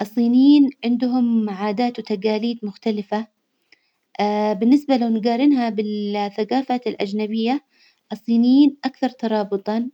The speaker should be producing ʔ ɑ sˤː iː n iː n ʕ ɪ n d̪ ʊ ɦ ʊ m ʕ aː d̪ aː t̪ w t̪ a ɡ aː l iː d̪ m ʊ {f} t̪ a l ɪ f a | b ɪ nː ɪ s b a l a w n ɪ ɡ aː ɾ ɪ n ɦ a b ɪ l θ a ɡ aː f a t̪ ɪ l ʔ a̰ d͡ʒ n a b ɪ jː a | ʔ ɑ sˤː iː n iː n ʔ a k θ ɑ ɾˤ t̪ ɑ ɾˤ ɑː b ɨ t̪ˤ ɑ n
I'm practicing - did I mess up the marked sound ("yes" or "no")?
yes